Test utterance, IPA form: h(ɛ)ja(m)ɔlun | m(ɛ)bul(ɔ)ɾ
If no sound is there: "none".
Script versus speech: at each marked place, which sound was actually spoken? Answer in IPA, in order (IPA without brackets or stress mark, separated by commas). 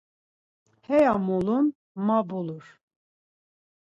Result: ɛ, m, a, u